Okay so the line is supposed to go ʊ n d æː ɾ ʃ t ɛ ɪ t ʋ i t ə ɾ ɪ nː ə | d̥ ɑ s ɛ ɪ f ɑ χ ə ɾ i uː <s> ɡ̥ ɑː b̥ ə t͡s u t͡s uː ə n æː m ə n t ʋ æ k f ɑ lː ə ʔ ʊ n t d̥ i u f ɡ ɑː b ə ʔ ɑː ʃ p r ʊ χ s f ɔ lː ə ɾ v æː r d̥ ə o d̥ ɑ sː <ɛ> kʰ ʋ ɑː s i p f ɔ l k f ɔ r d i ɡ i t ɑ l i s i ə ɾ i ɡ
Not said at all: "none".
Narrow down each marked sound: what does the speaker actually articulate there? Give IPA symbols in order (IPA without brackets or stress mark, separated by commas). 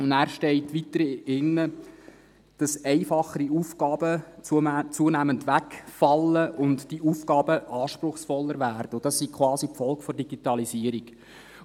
f, i